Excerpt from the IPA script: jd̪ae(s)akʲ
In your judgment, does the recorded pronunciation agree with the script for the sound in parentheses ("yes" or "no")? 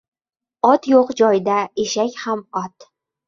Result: no